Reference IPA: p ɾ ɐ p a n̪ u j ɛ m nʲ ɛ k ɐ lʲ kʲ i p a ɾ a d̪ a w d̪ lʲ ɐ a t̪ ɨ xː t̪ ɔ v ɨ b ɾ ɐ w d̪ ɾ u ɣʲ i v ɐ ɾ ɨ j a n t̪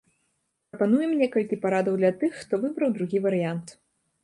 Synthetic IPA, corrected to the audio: p ɾ ɐ p a n̪ u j ɛ m nʲ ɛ k ɐ lʲ kʲ i p a ɾ a d̪ ɐ w d̪ lʲ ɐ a t̪ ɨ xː t̪ ɔ v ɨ b ɾ ɐ w d̪ ɾ u ɣʲ i v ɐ ɾ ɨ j a n t̪